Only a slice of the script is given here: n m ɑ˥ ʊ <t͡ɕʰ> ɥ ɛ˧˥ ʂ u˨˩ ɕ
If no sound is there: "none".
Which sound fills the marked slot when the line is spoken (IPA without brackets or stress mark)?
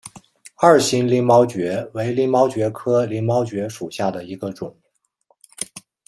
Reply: t͡ɕ